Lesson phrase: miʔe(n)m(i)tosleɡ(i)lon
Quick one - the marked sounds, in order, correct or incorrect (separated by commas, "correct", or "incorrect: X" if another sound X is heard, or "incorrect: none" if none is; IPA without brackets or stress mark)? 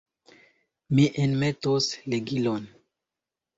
correct, incorrect: e, correct